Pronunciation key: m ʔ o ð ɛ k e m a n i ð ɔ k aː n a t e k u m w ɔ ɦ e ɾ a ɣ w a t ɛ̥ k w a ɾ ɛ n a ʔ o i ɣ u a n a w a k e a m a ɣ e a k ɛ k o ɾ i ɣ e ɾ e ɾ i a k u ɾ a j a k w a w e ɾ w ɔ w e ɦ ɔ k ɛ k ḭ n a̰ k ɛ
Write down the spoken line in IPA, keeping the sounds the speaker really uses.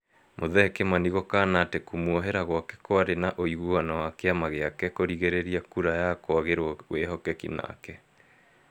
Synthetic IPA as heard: m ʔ o ð ɛ k e m a n i ɣ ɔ k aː n a t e k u m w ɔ ɦ e ɾ a ɣ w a k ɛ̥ k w a ɾ e n a ʔ o i ɣ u a n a w a k e a m a ɣ e a k ɛ k o ɾ i ɣ e ɾ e ɾ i a k u ɾ a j a k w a ɣ e ɾ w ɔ w e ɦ ɔ k ɛ k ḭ n a̰ k ɛ